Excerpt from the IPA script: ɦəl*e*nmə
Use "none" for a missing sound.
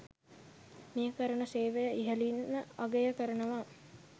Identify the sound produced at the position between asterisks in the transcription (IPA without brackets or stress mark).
i